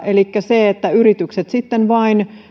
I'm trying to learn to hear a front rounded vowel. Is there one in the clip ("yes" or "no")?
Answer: yes